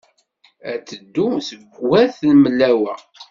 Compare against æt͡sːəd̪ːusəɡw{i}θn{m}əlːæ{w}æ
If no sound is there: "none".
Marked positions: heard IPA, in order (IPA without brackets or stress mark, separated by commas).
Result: æ, m, w